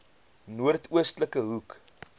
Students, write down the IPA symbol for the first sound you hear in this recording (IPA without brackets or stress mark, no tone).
n